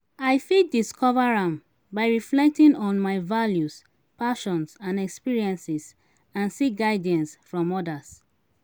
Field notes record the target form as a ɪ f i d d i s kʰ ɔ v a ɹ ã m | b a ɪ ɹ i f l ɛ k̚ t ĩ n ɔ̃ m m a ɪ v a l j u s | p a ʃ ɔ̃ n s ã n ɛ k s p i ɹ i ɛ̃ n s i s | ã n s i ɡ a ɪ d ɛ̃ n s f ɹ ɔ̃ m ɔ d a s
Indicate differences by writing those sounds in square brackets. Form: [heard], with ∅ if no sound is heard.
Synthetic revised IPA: a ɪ f i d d i s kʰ ɔ v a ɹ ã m | b a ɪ ɹ i f l ɛ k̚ t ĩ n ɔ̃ [n] m a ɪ v a l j u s | p a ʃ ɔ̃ n s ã n ɛ k s p i ɹ i ɛ̃ n s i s | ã n s i ɡ a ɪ d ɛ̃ n s f ɹ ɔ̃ m ɔ d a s

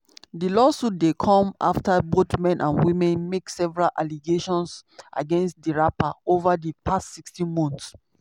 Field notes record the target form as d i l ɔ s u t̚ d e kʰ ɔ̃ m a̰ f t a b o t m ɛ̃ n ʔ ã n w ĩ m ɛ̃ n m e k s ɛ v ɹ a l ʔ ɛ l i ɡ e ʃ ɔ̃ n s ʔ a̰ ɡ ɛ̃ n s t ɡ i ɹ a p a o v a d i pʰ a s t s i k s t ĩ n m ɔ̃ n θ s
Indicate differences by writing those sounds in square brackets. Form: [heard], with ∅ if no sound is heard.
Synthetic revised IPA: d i l ɔ s u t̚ d e kʰ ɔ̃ m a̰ f t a b o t m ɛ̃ n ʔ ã n w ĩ m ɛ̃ n m e k s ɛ v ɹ a l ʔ [a] l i ɡ e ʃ ɔ̃ n s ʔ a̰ ɡ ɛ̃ n s t [d] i ɹ a p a o v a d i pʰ a s t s i k s t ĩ n m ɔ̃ n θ s

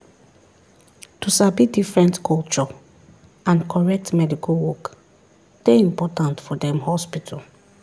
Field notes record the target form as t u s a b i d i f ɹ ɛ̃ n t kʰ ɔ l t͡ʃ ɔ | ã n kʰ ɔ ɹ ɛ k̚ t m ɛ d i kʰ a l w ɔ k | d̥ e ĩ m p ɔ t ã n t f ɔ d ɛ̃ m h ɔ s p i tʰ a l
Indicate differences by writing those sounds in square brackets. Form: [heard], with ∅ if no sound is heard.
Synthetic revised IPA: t u s a b i d i f ɹ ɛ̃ n t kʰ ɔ l t͡ʃ ɔ | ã n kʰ ɔ ɹ ɛ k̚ t m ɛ d i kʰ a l w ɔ k | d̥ e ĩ m p ɔ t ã n t f ɔ d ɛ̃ m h ɔ s p i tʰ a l

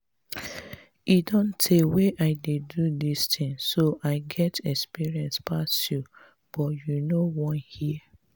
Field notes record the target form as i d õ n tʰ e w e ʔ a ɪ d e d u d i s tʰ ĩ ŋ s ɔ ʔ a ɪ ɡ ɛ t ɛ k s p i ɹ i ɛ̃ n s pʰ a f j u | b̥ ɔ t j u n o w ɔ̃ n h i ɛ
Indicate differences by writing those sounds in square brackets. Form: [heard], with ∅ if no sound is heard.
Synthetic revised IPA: i d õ n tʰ e w e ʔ a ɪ d e d u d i s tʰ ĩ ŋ s [o] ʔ a ɪ ɡ ɛ t ɛ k s p i ɹ i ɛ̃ n s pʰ a [s] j u | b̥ ɔ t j u n o w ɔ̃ n h i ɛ

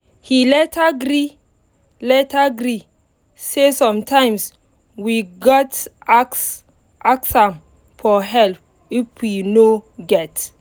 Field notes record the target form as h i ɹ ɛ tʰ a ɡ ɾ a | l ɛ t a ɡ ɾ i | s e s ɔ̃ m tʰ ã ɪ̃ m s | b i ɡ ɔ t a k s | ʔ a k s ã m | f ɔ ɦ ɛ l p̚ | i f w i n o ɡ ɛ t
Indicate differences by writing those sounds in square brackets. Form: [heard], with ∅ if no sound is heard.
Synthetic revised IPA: h i [l] ɛ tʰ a ɡ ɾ [i] | l ɛ t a ɡ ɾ i | s e s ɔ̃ m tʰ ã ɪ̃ m s | [w] i ɡ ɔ t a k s | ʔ a k s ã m | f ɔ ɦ ɛ l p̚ | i f w i n o ɡ ɛ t

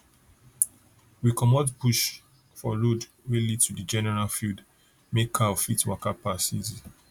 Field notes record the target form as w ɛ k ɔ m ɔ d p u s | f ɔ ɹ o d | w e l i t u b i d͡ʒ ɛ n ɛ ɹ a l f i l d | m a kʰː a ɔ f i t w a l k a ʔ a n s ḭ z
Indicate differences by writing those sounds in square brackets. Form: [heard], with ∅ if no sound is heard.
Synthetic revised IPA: w [i] k ɔ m ɔ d p u [ʃ] | f ɔ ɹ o d | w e l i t u [d] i d͡ʒ ɛ n ɛ ɹ a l f i l d | m [e] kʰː a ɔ f i t w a [∅] k a [p] a [∅] s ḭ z

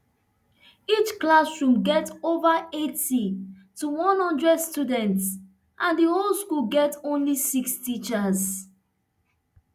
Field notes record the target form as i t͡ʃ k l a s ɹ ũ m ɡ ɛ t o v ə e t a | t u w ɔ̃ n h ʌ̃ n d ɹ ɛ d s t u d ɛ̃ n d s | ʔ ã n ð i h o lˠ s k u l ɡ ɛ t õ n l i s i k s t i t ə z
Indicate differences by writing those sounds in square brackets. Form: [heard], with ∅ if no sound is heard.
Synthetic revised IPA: i t͡ʃ k l a s ɹ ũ m ɡ ɛ t o v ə e t [i] | t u w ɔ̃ n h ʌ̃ n d ɹ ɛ d s t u d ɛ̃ n [t] s | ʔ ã n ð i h o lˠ s k u l ɡ ɛ t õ n l i s i k s t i [t͡ʃ] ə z

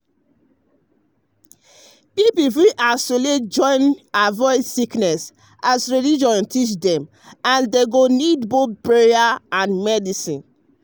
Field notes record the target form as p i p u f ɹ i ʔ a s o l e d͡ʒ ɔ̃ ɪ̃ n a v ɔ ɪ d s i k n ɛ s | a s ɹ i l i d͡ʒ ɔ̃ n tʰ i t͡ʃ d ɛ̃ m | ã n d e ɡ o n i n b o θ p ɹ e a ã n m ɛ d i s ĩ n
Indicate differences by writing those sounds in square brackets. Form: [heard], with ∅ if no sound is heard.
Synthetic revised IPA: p i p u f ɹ i ʔ a s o l e d͡ʒ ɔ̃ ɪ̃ n a v ɔ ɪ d s i k n ɛ s | a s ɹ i l i d͡ʒ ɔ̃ n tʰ i t͡ʃ d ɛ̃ m | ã n d e ɡ o n i [d] b o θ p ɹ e a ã n m ɛ d i s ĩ n

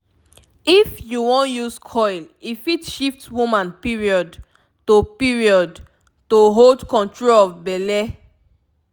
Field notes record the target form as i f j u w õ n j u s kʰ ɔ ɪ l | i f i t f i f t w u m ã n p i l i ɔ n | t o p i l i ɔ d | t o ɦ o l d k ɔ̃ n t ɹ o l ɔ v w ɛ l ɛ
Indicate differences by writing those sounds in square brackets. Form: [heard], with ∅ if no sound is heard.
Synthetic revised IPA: i f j u w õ n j u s kʰ ɔ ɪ l | i f i t [ʃ] i f t w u m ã n p i [ɹ] i ɔ [d] | t o p i [ɹ] i ɔ d | t o ɦ o l d k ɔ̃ n t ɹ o l ɔ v [b] ɛ l ɛ

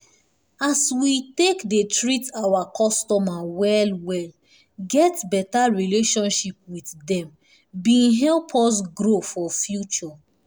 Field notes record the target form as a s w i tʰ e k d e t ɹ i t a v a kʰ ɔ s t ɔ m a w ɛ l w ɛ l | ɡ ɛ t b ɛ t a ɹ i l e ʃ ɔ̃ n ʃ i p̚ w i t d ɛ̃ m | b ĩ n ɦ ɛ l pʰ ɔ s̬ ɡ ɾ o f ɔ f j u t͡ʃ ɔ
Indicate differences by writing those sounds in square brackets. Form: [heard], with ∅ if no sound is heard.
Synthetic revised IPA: a s w i [t] e k d e t ɹ i t a [w] a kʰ ɔ s t ɔ m a w ɛ l w ɛ l | ɡ ɛ t b ɛ t a ɹ i l e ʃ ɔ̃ n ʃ i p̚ w i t d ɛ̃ m | b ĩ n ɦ ɛ l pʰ ɔ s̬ ɡ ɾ o f ɔ f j u t͡ʃ ɔ

